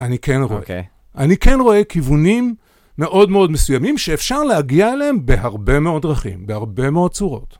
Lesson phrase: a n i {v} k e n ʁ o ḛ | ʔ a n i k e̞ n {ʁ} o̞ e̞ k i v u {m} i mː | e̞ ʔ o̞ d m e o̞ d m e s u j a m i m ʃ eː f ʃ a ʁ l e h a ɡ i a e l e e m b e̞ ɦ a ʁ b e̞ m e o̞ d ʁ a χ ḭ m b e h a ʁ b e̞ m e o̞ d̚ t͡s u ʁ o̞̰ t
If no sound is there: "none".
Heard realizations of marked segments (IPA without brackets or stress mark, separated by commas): none, ʁ, n